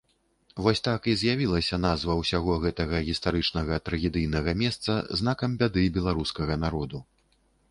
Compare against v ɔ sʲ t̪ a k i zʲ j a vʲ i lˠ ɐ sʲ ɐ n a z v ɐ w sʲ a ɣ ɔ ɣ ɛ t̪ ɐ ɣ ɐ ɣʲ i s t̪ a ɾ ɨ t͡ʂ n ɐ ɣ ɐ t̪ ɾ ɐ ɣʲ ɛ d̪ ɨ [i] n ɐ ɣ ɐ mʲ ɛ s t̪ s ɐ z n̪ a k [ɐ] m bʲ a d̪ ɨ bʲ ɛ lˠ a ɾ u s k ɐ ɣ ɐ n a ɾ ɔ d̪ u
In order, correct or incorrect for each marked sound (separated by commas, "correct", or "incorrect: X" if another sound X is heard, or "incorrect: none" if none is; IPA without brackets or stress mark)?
incorrect: j, correct